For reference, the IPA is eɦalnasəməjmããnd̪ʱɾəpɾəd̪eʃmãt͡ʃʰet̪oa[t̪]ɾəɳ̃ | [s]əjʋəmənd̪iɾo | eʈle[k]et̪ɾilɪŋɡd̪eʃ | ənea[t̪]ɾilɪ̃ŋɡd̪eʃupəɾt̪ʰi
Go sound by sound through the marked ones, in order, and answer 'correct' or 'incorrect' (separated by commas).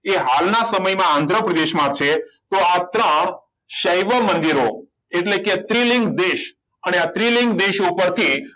correct, incorrect, correct, correct